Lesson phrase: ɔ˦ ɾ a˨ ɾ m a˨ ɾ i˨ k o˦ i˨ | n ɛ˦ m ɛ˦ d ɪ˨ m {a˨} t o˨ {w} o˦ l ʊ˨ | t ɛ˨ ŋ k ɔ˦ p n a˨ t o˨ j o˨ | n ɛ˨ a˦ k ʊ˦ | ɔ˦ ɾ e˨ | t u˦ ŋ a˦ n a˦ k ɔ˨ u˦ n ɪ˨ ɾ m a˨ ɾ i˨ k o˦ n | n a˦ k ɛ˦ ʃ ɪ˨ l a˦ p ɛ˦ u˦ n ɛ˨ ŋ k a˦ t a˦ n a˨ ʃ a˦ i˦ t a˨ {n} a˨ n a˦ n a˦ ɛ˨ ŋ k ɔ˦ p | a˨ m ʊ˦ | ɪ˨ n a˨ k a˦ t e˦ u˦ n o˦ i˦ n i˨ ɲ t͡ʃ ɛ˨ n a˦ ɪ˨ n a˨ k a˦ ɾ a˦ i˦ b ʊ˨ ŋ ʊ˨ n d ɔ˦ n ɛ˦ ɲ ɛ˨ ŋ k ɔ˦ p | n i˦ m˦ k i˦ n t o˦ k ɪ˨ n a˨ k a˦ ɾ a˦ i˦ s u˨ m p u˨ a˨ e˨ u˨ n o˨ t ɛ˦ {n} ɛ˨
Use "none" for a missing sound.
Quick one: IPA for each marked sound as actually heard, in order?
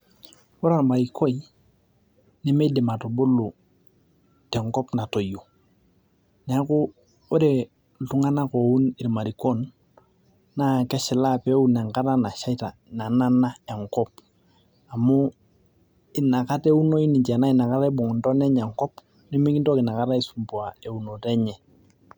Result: a˨, b, n, ɲ

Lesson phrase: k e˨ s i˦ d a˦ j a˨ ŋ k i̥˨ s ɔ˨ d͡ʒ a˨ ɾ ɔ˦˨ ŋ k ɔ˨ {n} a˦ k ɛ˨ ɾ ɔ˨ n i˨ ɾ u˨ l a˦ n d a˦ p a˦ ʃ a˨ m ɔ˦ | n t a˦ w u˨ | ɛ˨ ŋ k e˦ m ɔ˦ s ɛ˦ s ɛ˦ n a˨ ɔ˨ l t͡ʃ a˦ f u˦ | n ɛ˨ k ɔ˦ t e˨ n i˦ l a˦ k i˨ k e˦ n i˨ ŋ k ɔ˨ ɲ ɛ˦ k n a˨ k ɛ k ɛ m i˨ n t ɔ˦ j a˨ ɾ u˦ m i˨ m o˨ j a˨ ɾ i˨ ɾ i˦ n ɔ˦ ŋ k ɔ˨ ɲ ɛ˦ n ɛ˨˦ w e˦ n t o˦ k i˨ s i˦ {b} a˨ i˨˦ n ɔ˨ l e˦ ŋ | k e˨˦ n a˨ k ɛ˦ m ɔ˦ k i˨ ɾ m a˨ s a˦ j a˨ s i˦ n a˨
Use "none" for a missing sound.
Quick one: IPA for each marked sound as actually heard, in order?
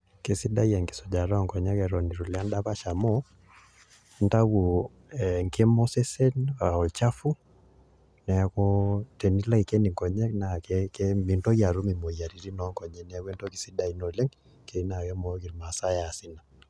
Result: ɲ, d

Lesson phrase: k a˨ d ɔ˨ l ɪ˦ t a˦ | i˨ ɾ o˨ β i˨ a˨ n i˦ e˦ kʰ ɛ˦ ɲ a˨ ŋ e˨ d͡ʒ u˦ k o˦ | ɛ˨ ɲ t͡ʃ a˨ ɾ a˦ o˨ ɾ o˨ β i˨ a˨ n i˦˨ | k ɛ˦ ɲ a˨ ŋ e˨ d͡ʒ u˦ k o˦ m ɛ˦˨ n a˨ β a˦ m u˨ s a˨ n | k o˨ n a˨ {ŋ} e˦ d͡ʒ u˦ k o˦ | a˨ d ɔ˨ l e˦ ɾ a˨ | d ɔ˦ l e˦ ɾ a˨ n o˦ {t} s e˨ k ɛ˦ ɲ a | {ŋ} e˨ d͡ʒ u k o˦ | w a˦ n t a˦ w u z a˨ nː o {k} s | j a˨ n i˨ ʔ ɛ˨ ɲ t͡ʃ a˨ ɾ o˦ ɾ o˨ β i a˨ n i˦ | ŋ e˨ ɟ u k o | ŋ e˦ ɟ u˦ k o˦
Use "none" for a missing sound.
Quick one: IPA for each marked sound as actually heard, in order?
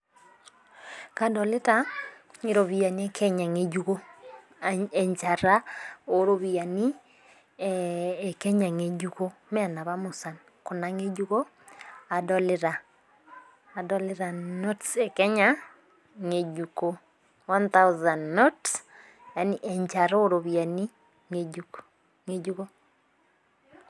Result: ŋ, t, ŋ, t

